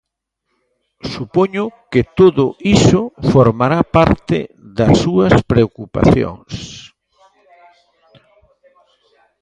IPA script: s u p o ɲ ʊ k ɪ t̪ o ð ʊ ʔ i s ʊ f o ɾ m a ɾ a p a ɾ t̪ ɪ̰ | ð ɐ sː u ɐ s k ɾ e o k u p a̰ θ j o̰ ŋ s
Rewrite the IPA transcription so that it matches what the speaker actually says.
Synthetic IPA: s u p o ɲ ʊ k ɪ t̪ o ð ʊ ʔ i s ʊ f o ɾ m a ɾ a p a ɾ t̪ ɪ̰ | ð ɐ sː u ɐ s p ɾ e o k u p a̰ θ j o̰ ŋ s